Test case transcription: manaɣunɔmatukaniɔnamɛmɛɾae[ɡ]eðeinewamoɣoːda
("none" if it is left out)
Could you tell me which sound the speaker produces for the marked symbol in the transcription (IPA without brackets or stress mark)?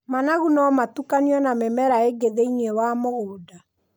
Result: ɡ